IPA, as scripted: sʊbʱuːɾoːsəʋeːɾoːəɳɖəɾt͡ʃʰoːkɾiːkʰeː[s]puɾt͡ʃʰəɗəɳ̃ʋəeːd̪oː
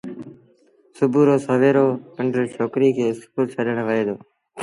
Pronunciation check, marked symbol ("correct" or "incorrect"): correct